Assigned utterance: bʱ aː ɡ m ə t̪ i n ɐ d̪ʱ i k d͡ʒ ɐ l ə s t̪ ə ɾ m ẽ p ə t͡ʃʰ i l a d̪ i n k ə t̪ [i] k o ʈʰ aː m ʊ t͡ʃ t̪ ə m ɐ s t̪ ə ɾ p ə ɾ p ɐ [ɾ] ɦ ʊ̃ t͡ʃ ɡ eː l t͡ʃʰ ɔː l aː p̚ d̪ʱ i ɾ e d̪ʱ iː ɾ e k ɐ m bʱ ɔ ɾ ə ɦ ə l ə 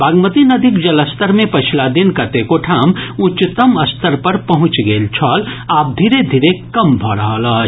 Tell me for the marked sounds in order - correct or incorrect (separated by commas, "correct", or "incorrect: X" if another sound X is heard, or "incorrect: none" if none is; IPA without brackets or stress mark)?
incorrect: e, incorrect: none